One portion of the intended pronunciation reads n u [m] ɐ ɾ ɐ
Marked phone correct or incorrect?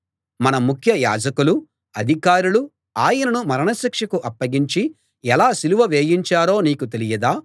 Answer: correct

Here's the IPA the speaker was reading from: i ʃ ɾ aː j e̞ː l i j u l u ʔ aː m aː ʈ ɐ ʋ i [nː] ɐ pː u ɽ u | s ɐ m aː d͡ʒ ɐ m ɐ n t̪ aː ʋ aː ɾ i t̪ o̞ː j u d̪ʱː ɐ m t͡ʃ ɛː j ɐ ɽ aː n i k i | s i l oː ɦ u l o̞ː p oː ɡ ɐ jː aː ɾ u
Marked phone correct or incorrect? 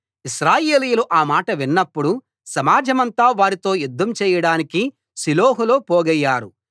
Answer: correct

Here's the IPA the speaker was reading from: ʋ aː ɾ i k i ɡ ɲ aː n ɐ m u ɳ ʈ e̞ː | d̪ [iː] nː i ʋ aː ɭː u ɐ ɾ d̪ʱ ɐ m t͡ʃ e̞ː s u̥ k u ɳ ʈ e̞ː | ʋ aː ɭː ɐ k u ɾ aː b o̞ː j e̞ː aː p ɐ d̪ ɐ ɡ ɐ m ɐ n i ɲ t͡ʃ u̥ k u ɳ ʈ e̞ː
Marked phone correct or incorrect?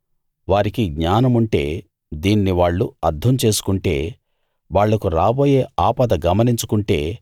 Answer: correct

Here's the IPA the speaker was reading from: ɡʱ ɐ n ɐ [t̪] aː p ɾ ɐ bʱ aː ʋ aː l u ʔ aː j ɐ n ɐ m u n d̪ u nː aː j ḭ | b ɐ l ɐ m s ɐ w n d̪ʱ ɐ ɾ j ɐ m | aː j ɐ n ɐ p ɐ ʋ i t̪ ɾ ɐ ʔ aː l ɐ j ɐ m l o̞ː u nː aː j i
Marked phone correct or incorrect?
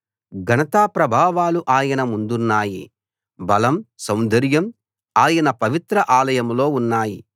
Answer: correct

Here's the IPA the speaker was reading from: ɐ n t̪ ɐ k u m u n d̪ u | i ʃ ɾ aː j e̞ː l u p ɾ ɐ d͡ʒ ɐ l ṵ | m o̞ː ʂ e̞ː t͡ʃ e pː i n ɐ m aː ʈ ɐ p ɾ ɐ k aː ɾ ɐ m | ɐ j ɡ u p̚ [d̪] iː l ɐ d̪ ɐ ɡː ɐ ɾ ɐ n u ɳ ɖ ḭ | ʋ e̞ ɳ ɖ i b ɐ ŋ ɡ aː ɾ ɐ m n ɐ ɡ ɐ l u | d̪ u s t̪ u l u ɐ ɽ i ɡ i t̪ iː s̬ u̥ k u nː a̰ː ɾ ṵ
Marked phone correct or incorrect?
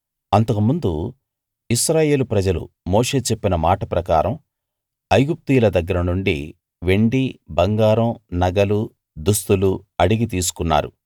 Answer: incorrect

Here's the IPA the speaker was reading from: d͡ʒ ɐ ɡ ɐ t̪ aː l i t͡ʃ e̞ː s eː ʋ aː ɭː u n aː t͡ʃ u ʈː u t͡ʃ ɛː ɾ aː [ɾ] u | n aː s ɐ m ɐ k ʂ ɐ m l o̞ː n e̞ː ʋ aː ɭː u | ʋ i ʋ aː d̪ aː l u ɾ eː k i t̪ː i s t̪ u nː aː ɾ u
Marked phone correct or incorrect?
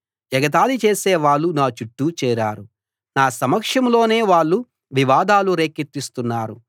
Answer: correct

